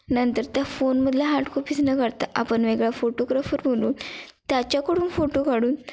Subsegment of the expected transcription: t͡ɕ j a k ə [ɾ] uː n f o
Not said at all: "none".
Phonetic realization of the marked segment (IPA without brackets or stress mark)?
ɽ